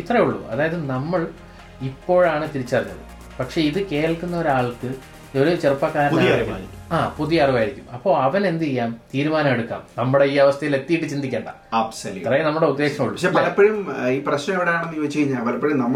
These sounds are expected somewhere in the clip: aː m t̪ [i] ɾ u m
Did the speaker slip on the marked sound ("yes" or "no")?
yes